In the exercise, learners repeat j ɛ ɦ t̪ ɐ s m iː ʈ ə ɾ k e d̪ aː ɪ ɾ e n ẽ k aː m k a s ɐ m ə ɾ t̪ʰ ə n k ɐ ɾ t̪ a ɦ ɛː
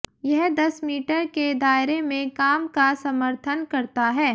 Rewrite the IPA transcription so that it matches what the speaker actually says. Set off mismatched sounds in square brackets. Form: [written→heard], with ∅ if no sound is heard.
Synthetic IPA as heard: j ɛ ɦ [t̪→d̪] ɐ s m iː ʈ ə ɾ k e d̪ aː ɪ ɾ e [n→m] ẽ k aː m k a s ɐ m ə ɾ t̪ʰ ə n k ɐ ɾ t̪ a ɦ ɛː